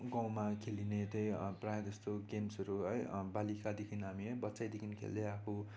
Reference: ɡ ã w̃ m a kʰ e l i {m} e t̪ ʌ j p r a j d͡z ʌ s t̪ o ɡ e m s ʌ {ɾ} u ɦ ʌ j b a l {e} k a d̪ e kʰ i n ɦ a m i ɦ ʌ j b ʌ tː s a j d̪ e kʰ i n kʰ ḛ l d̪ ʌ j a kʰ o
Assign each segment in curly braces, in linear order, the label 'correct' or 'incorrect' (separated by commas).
incorrect, correct, incorrect